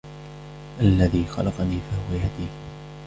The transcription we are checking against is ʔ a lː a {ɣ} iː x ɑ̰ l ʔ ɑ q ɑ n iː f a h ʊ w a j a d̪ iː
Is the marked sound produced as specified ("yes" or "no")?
no